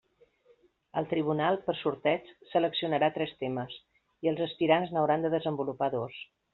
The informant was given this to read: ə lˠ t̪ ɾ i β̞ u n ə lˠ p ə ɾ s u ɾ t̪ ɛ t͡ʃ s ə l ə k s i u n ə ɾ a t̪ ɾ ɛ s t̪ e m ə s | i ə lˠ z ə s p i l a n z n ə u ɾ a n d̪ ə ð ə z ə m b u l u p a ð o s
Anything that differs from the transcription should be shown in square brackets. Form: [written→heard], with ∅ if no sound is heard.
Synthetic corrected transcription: ə lˠ t̪ ɾ i β̞ u n [ə→a] lˠ p ə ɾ s u ɾ t̪ ɛ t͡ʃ s ə l ə k s i u n ə ɾ a t̪ ɾ ɛ s t̪ e m ə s | i ə lˠ z ə s p i [l→ɾ] a n z n ə [u→w] ɾ a n d̪ ə ð ə z ə m b u l u p a ð o s

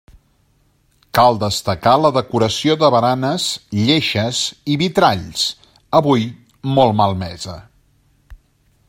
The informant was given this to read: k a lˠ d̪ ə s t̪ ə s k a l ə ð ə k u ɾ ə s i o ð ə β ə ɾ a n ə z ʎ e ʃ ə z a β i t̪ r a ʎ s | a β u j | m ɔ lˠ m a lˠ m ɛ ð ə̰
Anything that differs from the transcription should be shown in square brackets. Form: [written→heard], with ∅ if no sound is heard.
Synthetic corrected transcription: k a lˠ d̪ ə s t̪ ə [s→∅] k a l ə ð ə k u ɾ ə s i o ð ə β ə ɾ a n ə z ʎ e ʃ ə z [a→i] β i t̪ [r→ɾ] a ʎ s | [a→ə] β u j | m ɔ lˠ m a lˠ m ɛ [ð→z] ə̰

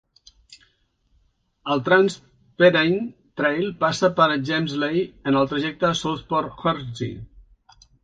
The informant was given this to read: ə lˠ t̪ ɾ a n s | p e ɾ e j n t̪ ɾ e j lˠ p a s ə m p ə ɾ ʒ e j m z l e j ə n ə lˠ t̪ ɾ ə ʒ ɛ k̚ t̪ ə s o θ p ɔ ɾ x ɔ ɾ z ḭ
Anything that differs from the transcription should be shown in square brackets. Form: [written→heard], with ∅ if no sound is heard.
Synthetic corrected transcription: ə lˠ t̪ ɾ a n s | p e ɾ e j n t̪ ɾ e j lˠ p a s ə [m→∅] p ə ɾ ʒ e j m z l e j ə n ə lˠ t̪ ɾ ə ʒ ɛ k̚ t̪ ə s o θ p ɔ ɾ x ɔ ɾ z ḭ

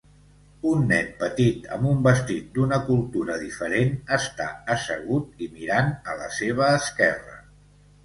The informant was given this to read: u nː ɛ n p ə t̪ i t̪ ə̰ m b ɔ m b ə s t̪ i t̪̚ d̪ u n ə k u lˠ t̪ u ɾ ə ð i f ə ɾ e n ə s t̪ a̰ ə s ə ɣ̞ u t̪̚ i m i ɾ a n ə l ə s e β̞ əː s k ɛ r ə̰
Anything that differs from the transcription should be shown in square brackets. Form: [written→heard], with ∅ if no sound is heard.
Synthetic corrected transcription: u nː ɛ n p ə t̪ i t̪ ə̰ m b [ɔ→u] m b ə s t̪ i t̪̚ d̪ u n ə k u lˠ t̪ u ɾ ə ð i f ə ɾ e n ə s t̪ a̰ ə s ə ɣ̞ u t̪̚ i m i ɾ a n ə l ə s e β̞ əː s k ɛ r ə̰

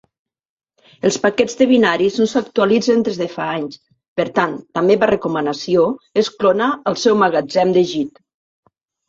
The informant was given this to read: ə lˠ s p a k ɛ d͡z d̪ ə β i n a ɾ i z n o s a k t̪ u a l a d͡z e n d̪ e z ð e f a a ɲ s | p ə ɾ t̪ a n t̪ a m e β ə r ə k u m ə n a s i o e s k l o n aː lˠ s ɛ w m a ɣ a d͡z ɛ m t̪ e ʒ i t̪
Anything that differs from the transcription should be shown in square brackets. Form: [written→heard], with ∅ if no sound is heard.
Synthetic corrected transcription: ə lˠ s p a k ɛ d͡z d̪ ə β i n a ɾ i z n o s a k t̪ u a l [a→i] d͡z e n d̪ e z ð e f a a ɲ s | p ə ɾ t̪ a n t̪ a m e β [ə→a] r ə k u m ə n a s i o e s k l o n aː lˠ s ɛ w m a ɣ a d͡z ɛ m [t̪→d̪] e ʒ i t̪

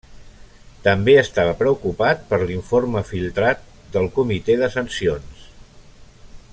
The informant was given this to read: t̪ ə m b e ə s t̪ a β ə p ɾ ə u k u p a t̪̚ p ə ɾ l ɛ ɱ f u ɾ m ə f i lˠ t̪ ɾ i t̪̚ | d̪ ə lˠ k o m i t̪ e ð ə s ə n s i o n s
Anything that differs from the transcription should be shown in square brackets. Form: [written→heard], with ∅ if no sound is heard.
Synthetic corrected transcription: t̪ ə m b e ə s t̪ a β ə p ɾ ə u k u p a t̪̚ p ə ɾ l [ɛ→i] ɱ f [u→o] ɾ m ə f i lˠ t̪ ɾ [i→a] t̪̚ | d̪ ə lˠ k [o→u] m i t̪ e ð ə s ə n s i o n s

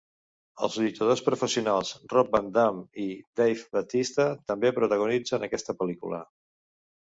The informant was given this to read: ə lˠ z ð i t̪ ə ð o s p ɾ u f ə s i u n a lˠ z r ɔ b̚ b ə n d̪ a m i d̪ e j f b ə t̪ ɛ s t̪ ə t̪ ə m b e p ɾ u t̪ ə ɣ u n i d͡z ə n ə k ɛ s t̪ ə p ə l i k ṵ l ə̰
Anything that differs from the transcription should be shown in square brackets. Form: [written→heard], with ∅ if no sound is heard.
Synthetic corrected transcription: ə lˠ z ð i t̪ ə ð o s p ɾ u f ə s i u n a lˠ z r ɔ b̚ b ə n d̪ a m i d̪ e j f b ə t̪ [ɛ→i] s t̪ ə t̪ ə m b e p ɾ u t̪ ə ɣ u n i d͡z ə n ə k ɛ s t̪ ə p ə l i k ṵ l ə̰

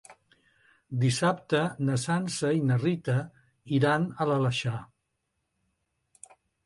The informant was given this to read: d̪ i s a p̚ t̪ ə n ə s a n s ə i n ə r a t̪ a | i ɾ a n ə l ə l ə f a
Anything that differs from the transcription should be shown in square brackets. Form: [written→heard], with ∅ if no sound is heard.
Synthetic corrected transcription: d̪ i s a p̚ t̪ ə n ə s a n s ə i n ə r [a→i] t̪ [a→ə] | i ɾ a n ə l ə l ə [f→ʃ] a

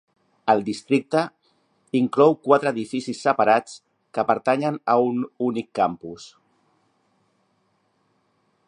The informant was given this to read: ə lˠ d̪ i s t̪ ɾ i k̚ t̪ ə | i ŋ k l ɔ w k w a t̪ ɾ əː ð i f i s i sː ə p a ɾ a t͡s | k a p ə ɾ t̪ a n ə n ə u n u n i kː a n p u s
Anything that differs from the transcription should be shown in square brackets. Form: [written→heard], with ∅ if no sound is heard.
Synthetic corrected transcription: ə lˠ d̪ i s t̪ ɾ i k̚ t̪ ə | i ŋ k l ɔ w k w a t̪ ɾ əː ð i f i s i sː ə p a ɾ a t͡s | k [a→ə] p ə ɾ t̪ a [n→ɲ] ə n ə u n u n i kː a [n→m] p u s

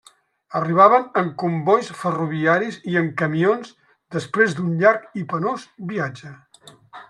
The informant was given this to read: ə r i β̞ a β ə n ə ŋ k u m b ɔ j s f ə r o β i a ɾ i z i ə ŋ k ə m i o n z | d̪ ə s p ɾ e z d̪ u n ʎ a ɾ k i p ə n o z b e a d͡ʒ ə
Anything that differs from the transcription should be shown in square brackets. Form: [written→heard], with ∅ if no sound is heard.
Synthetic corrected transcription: ə r i β̞ a β ə n ə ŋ k u m b ɔ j s f ə r [o→u] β i a ɾ i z i ə ŋ k ə m i o n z | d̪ ə s p ɾ e z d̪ u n ʎ a ɾ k i p ə n o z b [e→i] a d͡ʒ ə

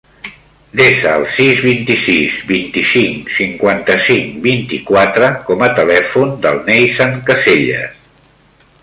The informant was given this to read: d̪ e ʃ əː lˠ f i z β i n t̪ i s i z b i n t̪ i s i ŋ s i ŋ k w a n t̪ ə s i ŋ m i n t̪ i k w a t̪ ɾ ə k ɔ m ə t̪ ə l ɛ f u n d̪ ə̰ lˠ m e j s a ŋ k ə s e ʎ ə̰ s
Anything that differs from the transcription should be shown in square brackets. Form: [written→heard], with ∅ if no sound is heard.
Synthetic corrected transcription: d̪ e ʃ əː lˠ [f→s] i z β i n t̪ i s i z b i n t̪ i s i ŋ s i ŋ k w a n t̪ ə s i ŋ [m→b] i n t̪ i k w a t̪ ɾ ə k ɔ m ə t̪ ə l ɛ f u n d̪ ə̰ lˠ [m→n] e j s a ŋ k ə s e ʎ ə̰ s

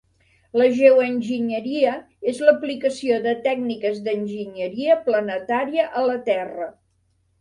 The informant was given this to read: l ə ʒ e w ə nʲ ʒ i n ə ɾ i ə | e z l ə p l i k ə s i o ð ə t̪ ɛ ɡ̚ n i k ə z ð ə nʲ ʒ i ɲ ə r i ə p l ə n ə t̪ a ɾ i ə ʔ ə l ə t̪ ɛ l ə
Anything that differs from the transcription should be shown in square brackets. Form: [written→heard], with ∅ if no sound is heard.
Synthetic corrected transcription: l ə ʒ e w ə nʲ ʒ i [n→ɲ] ə ɾ i ə | e z l ə p l i k ə s i o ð ə t̪ ɛ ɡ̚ n i k ə z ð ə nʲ ʒ i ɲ ə [r→ɾ] i ə p l ə n ə t̪ a ɾ i ə ʔ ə l ə t̪ ɛ [l→r] ə

